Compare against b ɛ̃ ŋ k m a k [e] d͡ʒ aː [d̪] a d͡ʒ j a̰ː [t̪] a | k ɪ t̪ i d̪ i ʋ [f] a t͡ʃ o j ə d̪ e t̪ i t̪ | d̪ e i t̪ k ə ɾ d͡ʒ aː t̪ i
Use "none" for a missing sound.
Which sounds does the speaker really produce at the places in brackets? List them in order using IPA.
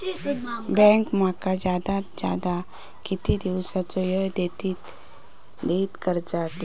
a, d̪, d̪, s

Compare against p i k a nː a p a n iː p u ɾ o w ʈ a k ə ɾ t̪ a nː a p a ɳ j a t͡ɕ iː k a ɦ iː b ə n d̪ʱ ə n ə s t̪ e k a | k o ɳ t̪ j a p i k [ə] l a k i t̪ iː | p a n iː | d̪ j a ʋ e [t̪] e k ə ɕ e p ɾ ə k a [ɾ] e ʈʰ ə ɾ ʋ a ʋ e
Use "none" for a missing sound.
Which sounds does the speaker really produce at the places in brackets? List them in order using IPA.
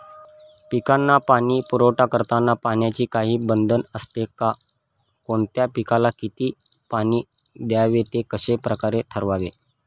a, t̪, ɾ

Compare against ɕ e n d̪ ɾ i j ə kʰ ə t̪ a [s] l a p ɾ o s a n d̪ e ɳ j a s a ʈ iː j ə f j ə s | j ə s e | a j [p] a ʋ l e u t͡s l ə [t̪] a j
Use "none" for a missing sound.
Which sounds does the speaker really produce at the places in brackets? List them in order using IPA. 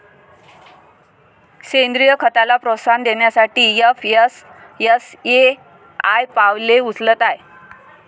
none, p, t̪

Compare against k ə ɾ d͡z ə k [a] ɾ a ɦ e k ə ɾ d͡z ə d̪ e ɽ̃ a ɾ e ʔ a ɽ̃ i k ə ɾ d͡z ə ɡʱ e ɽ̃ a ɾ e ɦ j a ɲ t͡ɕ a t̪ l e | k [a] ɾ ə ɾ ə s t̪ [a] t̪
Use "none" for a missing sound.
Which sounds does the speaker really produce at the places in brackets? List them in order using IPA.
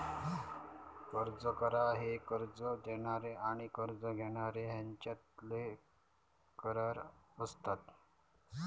ə, ə, a

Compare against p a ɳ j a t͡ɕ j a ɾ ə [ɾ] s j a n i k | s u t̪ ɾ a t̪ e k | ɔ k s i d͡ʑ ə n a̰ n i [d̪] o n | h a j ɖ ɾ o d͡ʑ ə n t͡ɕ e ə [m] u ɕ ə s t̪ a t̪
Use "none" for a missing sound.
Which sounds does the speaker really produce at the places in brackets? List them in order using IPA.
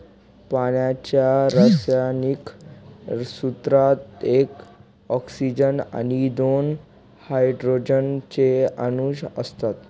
none, d̪, n

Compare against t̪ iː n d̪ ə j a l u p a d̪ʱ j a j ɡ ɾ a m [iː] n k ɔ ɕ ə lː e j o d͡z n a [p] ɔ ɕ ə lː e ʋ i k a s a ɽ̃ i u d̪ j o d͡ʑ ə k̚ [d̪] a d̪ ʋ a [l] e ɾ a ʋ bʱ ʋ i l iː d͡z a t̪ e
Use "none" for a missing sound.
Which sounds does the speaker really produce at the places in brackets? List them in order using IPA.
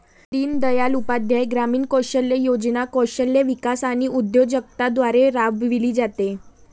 iː, k, t̪, ɾ

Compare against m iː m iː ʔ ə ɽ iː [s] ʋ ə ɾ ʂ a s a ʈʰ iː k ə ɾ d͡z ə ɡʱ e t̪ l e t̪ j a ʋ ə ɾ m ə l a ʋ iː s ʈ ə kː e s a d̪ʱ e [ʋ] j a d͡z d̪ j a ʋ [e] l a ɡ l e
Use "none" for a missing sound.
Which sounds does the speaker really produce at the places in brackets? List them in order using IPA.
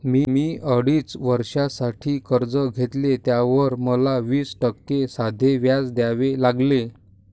t͡s, ʋ, e

